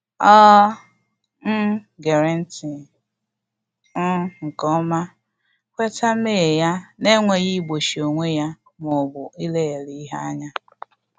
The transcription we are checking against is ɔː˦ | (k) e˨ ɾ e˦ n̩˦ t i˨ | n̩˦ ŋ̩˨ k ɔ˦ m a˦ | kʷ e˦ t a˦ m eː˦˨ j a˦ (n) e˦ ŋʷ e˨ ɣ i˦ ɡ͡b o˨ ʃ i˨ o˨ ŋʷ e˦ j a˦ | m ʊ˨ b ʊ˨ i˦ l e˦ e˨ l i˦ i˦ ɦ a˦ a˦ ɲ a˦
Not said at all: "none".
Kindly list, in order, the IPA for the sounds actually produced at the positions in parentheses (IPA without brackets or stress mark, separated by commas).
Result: ɡ, n